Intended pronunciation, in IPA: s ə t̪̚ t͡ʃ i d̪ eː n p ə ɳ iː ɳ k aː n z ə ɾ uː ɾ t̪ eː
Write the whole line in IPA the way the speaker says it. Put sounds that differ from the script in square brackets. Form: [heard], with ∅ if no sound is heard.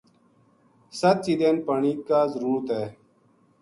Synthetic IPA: s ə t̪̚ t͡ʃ i d̪ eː n p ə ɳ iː [∅] k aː [∅] z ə ɾ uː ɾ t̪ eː